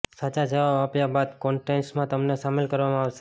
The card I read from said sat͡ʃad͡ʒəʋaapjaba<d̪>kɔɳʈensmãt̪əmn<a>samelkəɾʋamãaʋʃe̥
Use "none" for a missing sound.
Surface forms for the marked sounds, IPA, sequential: d̪, e

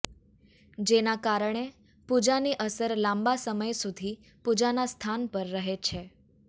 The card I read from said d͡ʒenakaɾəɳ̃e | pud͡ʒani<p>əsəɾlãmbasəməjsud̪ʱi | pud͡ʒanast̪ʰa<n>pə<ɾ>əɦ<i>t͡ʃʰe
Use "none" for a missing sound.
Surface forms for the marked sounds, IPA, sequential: ʔ, n, ɾː, e

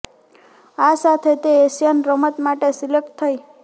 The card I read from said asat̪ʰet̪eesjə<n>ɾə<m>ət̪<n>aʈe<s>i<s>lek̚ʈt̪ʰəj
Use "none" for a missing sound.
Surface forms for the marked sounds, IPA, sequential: n, m, m, s, none

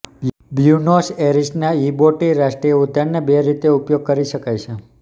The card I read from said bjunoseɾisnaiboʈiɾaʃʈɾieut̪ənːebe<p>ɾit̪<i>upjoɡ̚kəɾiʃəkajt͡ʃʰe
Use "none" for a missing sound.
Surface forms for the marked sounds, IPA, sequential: none, e

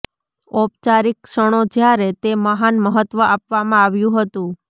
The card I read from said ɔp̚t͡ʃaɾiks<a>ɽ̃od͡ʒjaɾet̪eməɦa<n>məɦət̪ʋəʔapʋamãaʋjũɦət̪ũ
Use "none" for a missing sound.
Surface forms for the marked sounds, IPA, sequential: ə, n

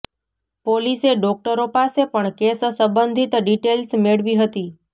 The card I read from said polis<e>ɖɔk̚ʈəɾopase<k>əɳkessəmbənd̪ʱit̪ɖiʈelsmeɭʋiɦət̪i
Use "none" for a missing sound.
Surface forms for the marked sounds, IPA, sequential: e, p

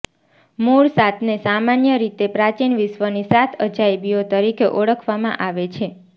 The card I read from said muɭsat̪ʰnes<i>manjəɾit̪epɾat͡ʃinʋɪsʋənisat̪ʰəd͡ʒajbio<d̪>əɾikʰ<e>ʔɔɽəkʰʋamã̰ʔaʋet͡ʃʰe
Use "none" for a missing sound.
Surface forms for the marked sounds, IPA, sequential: a, t̪, e

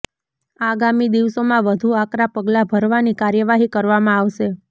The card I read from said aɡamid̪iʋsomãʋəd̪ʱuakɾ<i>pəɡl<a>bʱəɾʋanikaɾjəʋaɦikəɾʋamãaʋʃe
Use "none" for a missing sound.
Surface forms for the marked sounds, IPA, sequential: a, a

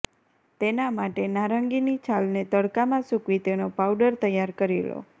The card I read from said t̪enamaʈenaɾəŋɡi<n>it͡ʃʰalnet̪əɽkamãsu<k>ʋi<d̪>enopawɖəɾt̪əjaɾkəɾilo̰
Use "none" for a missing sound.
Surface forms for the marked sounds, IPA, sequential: n, k, t̪

